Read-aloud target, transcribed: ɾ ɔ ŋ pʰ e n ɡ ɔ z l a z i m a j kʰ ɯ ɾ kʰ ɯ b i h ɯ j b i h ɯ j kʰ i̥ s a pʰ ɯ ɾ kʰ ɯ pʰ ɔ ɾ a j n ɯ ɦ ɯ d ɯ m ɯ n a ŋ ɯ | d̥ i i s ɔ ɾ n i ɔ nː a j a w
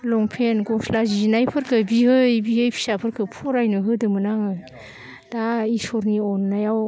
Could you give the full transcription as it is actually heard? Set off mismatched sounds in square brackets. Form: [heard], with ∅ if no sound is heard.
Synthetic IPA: [l] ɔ ŋ pʰ e n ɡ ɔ [s] l a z i [n] a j [pʰ] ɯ ɾ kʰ ɯ b i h ɯ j b i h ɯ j [pʰ] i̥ s a pʰ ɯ ɾ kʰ ɯ pʰ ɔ ɾ a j n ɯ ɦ ɯ d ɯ m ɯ n a ŋ ɯ | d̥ [a] i s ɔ ɾ n i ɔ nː a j a w